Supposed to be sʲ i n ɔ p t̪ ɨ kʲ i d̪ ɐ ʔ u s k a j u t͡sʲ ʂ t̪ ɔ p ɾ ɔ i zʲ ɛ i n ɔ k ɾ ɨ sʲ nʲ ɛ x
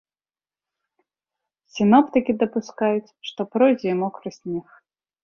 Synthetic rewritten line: sʲ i n ɔ p t̪ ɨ kʲ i d̪ ɐ p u s k a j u t͡sʲ ʂ t̪ ɔ p ɾ ɔ j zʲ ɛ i m ɔ k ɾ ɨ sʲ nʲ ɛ x